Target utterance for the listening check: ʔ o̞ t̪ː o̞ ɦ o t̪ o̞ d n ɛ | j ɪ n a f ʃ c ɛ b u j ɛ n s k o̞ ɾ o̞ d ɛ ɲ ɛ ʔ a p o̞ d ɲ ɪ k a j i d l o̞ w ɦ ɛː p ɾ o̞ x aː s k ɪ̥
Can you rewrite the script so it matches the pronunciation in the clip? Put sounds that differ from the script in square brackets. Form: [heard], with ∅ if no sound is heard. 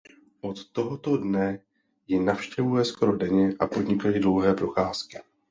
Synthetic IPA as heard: ʔ o̞ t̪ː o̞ ɦ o t̪ o̞ d n ɛ | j ɪ n a f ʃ c ɛ [v] u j ɛ [∅] s k o̞ ɾ o̞ d ɛ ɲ ɛ ʔ a p o̞ d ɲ ɪ k a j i d l o̞ w ɦ ɛː p ɾ o̞ x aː s k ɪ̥